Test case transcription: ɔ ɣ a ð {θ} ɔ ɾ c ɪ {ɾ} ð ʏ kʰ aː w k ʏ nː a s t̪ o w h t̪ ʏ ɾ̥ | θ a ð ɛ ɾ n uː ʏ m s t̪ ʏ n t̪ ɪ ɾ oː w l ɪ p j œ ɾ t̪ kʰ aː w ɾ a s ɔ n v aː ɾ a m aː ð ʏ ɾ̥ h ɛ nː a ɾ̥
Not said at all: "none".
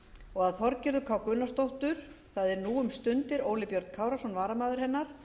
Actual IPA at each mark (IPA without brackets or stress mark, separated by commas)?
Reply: θ, ɾ